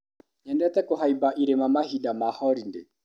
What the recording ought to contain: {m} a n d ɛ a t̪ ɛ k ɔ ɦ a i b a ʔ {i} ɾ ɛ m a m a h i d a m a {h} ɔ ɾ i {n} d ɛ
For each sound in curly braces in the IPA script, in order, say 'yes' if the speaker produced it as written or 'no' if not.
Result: no, yes, yes, yes

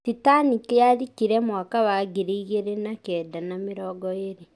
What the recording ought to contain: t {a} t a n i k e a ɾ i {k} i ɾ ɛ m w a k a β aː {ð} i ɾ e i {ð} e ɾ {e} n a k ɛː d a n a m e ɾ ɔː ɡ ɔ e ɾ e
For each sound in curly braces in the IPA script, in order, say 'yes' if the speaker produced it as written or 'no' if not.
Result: no, yes, no, no, yes

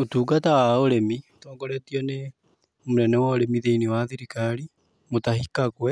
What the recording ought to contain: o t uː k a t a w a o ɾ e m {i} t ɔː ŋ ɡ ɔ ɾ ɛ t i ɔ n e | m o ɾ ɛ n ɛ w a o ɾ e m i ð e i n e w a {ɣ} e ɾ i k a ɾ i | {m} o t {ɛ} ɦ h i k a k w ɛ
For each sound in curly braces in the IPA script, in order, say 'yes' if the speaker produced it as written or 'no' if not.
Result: yes, no, yes, no

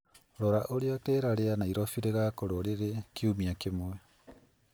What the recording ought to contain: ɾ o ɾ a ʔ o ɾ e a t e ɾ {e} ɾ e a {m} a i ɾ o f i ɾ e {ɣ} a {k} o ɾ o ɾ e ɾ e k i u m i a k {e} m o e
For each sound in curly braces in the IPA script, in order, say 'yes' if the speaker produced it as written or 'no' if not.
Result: no, no, yes, yes, yes

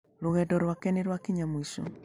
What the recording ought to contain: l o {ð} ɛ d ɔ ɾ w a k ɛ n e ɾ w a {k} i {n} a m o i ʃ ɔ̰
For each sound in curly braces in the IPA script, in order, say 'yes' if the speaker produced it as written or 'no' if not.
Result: no, yes, no

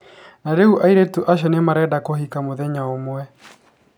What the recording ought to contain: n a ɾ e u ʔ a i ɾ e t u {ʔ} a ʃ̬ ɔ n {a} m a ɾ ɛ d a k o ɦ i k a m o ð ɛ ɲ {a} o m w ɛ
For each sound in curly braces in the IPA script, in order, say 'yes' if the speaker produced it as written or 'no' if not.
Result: yes, no, yes

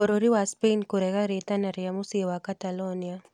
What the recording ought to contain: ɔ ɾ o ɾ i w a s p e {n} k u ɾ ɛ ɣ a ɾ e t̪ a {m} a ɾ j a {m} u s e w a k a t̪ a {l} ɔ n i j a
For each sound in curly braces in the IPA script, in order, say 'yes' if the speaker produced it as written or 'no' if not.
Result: yes, no, yes, yes

